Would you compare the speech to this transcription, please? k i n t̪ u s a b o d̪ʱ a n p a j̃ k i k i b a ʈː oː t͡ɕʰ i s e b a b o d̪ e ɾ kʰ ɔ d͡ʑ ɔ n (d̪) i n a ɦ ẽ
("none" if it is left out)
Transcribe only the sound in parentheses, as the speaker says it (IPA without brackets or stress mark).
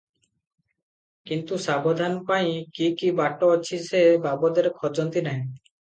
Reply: t̪